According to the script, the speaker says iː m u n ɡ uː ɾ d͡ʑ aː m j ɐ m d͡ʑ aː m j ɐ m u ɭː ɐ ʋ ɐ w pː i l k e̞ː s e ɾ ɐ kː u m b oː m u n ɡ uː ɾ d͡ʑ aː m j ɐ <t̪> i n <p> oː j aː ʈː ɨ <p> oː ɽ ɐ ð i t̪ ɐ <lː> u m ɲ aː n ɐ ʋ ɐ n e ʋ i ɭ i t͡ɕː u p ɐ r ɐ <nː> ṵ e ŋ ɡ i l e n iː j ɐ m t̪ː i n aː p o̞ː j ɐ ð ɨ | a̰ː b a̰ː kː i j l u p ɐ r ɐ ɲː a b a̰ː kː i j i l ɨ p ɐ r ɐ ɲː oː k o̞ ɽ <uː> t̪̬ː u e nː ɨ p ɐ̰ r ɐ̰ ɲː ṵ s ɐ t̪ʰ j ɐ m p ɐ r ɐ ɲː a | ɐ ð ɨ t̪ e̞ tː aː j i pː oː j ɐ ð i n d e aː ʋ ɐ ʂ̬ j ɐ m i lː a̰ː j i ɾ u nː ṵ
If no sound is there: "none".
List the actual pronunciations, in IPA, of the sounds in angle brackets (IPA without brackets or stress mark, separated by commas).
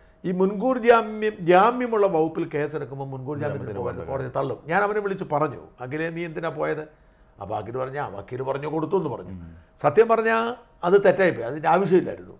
t̪, p, k, ɭː, ɲː, u